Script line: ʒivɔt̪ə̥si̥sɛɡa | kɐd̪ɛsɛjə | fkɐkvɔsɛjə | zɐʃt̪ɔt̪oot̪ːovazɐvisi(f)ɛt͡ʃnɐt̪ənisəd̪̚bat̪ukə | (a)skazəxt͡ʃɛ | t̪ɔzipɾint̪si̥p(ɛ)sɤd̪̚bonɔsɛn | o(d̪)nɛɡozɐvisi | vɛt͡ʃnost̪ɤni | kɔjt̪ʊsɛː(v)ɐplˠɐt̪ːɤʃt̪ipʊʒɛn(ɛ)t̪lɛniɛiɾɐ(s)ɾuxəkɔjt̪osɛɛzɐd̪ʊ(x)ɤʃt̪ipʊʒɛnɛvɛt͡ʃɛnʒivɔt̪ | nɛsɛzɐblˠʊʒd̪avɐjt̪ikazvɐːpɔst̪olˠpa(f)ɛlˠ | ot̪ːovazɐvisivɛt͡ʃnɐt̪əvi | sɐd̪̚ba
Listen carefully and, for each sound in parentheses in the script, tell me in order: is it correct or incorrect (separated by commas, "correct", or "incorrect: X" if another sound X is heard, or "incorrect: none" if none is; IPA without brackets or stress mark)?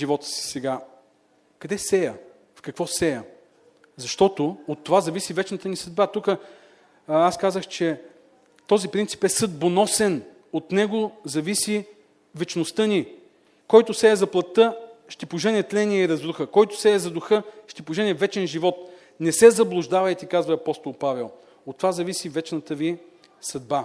incorrect: v, correct, correct, incorrect: t̪, incorrect: z, correct, incorrect: z, correct, incorrect: v